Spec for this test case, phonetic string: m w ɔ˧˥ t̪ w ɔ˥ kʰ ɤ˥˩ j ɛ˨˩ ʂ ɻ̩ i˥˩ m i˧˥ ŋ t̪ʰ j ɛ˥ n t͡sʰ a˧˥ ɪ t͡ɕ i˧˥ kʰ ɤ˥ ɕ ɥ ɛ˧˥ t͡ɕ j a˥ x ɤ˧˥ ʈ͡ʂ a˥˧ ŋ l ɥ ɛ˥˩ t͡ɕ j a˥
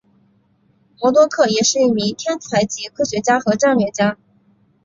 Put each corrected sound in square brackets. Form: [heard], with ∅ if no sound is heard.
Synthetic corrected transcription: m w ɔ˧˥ t̪ w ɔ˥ kʰ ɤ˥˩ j ɛ˨˩ ʂ ɻ̩ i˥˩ m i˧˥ ŋ t̪ʰ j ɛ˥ n t͡sʰ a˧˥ ɪ t͡ɕ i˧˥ kʰ ɤ˥ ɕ ɥ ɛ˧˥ t͡ɕ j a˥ x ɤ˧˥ ʈ͡ʂ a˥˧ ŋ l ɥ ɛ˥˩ t͡ɕ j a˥